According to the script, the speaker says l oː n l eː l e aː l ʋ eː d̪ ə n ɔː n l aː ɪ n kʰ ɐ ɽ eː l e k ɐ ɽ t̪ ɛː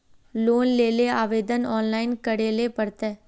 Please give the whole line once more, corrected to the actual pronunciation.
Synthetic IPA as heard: l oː n l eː l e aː ʋ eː d̪ ə n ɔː n l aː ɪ n k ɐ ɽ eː l e p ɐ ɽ t̪ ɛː

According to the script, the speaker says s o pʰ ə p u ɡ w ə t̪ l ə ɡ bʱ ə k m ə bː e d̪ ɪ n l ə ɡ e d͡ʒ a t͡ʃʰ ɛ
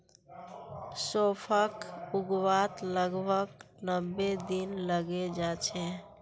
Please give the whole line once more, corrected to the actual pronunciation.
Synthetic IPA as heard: s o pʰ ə k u ɡ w a t̪ l ə ɡ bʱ ə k n ə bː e d̪ i n l ə ɡ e d͡ʒ a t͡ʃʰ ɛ

